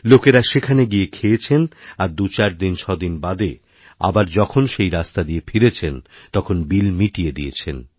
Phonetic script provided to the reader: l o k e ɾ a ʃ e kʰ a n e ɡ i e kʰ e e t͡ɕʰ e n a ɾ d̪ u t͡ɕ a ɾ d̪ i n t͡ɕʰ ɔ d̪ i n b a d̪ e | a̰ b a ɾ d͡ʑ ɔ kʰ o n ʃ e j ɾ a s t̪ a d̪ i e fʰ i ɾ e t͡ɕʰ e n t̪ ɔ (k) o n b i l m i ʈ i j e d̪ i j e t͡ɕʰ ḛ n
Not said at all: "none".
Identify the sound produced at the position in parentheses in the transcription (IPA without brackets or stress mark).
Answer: kʰ